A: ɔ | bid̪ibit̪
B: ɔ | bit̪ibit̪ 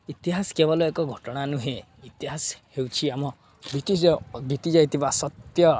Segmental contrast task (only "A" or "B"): B